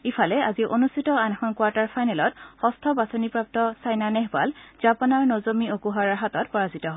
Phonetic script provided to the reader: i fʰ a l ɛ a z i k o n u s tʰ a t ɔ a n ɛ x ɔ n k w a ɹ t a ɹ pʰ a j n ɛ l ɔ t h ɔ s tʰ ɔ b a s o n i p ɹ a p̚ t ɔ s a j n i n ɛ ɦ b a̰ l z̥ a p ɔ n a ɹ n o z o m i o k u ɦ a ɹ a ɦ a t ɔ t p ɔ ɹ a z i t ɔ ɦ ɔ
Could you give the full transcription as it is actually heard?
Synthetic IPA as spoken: i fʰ a l ɛ a z i ʔ o n u s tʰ i t ɔ a n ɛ x ɔ n k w a ɹ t a ɹ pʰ a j n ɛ l ɔ t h ɔ s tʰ ɔ b a s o n i p ɹ a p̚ t ɔ s a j n a n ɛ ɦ b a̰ l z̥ a p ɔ n a ɹ n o z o m i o k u ɦ a ɹ a ɦ a t ɔ t p ɔ ɹ a z i t ɔ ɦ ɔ

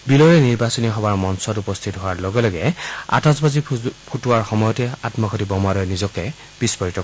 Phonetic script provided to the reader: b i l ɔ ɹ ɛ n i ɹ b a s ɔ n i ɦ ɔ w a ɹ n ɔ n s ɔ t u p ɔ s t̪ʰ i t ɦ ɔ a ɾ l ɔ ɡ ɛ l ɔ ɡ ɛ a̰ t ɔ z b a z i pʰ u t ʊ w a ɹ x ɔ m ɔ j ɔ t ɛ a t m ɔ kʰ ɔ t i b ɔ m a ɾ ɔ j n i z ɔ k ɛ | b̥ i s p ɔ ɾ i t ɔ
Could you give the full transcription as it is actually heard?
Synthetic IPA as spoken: b i l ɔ ɹ ɛ n i ɹ b a s ɔ n i ɦ ɔ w a ɹ m ɔ n s ɔ t u p ɔ s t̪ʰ i t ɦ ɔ a ɹ l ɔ ɡ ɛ l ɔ ɡ ɛ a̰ t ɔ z b a z i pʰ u t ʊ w a ɹ x ɔ m ɔ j ɔ t ɛ a t m ɔ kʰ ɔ t i b ɔ m a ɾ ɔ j n i z ɔ k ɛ | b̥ i s p ɔ ɹ i t ɔ

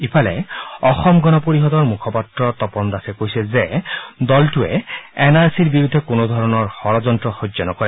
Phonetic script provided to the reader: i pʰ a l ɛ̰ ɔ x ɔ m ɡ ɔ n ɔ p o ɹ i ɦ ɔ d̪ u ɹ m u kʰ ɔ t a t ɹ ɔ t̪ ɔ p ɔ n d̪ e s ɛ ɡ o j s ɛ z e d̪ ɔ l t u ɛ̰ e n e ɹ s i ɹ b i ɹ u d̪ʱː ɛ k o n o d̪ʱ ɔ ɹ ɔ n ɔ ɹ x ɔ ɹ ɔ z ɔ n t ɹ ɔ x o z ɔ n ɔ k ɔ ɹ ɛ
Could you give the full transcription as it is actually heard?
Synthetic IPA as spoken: i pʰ a l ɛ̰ ɔ x ɔ m ɡ ɔ n ɔ p o ɹ i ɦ ɔ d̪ ɔ ɹ m u kʰ ɔ p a t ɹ ɔ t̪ ɔ p ɔ n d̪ a s ɛ k o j s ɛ z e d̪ ɔ l t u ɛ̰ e n a ɹ s i ɹ b i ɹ u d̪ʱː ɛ k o n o d̪ʱ ɔ ɹ ɔ n ɔ ɹ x ɔ ɹ ɔ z ɔ n t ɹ ɔ x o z ɔ n ɔ k ɔ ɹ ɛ

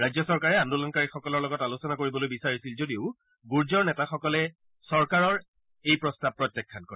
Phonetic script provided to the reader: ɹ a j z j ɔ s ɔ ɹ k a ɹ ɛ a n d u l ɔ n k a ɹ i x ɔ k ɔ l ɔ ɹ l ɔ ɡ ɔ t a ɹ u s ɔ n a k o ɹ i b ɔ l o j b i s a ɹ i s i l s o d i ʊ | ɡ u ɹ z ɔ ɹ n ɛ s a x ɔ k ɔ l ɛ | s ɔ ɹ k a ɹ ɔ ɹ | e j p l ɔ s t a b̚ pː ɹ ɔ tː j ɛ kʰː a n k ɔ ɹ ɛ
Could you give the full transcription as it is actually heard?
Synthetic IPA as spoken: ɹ a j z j ɔ s ɔ ɹ k a ɹ ɛ a n d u l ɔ n k a ɹ i x ɔ k ɔ l ɔ ɹ l ɔ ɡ ɔ t a l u s ɔ n a k o ɹ i b ɔ l o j b i s a ɹ i s i l z o d i ʊ | ɡ u ɹ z ɔ ɹ n ɛ t a x ɔ k ɔ l ɛ | s ɔ ɹ k a ɹ ɔ ɹ | e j p ɹ ɔ s t a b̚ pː ɹ ɔ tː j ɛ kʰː a n k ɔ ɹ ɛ

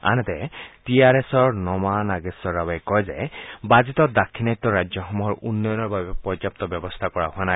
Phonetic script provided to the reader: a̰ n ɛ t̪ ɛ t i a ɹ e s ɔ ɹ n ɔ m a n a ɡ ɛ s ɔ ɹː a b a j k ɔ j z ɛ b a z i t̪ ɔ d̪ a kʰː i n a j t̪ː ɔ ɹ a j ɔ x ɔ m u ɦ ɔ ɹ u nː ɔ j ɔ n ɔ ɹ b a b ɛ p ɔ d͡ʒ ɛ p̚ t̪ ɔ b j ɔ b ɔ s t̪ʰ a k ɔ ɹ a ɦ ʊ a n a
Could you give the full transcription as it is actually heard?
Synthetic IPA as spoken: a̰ n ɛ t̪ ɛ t i a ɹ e s ɔ ɹ n ɔ m a n a ɡ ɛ s ɔ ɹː a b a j k ɔ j z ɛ b a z i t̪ ɔ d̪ a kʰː i n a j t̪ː ɔ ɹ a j ɔ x ɔ m u ɦ ɔ ɹ u nː ɔ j ɔ n ɔ ɹ b a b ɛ p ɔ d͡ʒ a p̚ t̪ ɔ b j ɔ b ɔ s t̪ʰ a k ɔ ɹ a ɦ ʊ a n a

